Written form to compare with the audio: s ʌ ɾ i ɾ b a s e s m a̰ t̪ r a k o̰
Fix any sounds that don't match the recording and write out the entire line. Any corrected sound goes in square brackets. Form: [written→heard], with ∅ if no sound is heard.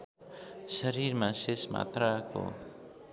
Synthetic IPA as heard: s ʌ ɾ i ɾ [b→m] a s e s m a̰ t̪ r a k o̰